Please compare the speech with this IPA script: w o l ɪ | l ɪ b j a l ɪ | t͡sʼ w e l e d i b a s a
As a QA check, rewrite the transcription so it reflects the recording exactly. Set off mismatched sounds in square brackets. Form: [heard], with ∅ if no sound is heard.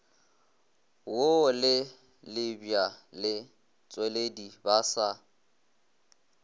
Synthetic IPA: w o l ɪ | l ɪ b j a l ɪ | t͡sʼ w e l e d i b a s a